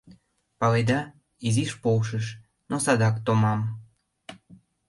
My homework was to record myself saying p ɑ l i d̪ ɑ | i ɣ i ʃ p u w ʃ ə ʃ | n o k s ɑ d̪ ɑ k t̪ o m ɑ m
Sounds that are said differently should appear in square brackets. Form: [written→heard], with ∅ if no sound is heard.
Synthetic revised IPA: p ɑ l [i→e] d̪ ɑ | i [ɣ→z] i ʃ p [u→o] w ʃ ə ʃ | n o [k→∅] s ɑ d̪ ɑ k t̪ o m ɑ m